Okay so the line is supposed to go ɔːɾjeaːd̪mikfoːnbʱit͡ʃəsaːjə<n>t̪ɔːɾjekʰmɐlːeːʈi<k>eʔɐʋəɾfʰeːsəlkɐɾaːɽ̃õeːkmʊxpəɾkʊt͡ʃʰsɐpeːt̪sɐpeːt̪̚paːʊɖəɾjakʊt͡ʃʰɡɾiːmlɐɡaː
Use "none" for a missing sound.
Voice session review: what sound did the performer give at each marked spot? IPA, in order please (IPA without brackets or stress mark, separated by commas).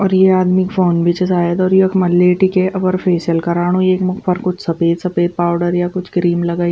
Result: none, k